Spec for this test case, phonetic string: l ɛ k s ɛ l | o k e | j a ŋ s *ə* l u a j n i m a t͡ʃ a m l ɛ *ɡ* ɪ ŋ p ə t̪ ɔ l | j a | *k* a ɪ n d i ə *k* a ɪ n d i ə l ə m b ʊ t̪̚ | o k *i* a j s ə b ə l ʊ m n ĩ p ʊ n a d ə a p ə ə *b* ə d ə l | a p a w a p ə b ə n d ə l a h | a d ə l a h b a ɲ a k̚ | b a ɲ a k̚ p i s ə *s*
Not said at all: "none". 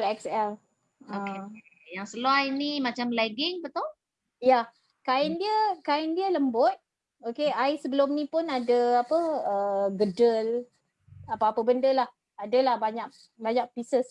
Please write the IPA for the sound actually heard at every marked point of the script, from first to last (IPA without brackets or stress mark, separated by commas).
ə, ɡ, k, k, e, ɡ, s